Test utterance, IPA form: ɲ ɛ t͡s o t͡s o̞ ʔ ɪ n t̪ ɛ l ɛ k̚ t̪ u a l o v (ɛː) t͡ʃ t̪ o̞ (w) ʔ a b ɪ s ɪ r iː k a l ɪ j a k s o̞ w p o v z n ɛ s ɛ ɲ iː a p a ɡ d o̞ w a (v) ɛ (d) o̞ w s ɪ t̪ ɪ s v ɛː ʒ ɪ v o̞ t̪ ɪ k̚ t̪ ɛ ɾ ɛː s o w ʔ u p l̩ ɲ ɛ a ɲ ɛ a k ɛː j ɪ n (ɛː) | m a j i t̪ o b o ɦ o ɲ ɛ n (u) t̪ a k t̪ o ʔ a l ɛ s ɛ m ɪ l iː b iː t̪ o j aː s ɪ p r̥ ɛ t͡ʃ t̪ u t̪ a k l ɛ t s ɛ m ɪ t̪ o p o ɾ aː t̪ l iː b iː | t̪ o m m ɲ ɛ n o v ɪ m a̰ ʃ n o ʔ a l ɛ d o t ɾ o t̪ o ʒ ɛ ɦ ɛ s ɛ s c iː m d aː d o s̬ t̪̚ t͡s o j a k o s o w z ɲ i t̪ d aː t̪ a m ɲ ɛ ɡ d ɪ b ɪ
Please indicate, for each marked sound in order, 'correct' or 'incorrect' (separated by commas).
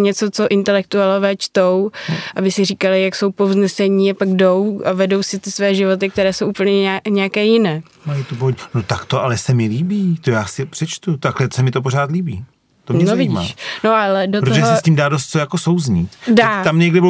correct, correct, correct, correct, correct, incorrect